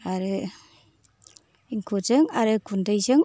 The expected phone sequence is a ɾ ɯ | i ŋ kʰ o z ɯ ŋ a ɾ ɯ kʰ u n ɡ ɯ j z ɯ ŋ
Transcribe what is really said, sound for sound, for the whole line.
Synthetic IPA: a ɾ ɯ | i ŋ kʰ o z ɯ ŋ a ɾ ɯ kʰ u n d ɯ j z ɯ ŋ